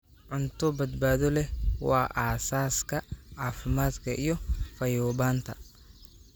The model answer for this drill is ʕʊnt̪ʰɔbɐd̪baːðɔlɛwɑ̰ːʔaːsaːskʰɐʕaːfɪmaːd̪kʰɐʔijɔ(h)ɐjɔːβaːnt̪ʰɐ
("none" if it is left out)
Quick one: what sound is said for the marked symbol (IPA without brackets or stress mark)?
f